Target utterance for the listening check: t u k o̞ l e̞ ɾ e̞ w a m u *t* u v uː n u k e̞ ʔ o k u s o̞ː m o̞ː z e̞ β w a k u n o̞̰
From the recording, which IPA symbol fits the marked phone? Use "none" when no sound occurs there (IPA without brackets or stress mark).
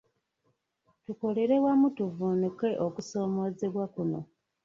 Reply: t